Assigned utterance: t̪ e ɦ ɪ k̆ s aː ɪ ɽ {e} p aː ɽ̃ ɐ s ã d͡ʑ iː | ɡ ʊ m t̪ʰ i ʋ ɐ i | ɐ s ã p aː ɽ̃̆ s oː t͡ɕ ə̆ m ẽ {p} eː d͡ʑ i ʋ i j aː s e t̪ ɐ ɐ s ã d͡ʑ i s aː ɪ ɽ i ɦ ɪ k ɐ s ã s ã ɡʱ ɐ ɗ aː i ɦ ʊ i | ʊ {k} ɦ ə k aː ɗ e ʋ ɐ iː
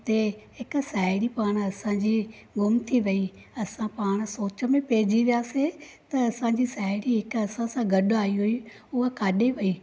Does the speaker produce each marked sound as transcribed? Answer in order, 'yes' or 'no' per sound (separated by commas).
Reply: no, yes, no